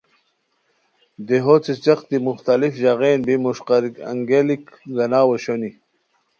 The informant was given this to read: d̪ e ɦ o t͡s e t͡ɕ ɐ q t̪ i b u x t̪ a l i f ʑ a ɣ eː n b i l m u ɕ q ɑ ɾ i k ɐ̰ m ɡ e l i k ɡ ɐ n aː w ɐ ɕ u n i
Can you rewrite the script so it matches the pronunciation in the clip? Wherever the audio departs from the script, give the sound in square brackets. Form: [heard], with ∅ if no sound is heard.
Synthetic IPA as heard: d̪ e ɦ o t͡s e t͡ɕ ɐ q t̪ i [m] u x t̪ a l i f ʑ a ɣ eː n b i [∅] m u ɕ q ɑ ɾ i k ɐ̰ [ŋ] ɡ e l i k ɡ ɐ n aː w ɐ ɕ [o] n i